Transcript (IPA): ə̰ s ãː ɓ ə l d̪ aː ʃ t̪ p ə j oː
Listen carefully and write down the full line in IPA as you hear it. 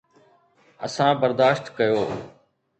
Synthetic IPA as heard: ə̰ s ãː b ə ɾ d̪ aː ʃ t̪ k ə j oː